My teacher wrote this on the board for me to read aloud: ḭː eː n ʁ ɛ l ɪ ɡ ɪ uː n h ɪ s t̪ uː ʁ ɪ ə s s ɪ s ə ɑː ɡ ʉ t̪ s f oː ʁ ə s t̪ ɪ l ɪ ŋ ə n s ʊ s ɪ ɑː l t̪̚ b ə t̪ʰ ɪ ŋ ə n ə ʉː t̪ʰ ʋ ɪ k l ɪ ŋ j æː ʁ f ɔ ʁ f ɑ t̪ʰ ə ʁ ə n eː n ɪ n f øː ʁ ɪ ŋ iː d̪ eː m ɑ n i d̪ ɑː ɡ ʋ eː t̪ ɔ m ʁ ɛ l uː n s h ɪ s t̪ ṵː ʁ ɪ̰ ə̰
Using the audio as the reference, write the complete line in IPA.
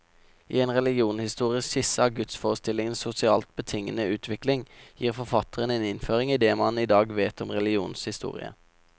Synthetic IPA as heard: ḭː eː n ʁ ɛ l ɪ ɡ ɪ uː n h ɪ s t̪ uː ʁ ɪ ə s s ɪ s ə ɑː ɡ ʉ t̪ s f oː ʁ ə s t̪ ɪ l ɪ ŋ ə n s ʊ s ɪ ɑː l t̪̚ b ə t̪ʰ ɪ ŋ ə n ə ʉː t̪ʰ ʋ ɪ k l ɪ ŋ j iː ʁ f ɔ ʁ f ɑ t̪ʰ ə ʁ ə n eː n ɪ n f øː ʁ ɪ ŋ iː d̪ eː m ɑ n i d̪ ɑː ɡ ʋ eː t̪ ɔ m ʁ ɛ l uː n s h ɪ s t̪ ṵː ʁ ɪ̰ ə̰